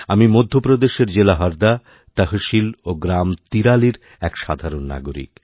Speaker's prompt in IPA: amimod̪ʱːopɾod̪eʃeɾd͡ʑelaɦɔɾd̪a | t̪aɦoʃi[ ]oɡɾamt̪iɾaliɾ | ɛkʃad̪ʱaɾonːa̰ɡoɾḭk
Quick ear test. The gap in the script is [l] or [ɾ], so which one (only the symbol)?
l